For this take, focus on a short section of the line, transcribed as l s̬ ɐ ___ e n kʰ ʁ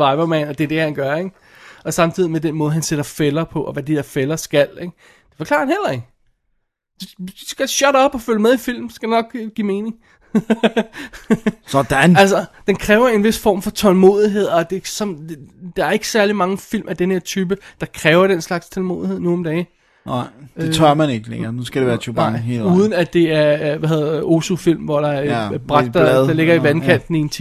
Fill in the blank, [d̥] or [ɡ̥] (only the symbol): d̥